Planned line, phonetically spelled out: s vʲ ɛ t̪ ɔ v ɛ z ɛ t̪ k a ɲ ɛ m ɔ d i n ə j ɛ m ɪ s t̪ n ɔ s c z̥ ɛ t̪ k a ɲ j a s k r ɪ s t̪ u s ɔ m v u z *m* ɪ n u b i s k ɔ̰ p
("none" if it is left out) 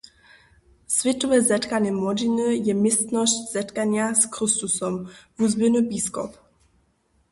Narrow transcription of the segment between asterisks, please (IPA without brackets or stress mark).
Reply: b